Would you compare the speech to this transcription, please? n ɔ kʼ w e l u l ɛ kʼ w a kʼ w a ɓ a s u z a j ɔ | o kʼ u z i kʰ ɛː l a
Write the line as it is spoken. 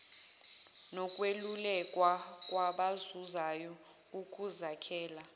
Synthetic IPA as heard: n ɔ kʼ w e l u l ɛ kʼ w a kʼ w a ɓ a z u z a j ɔ | u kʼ u z a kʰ ɛː l a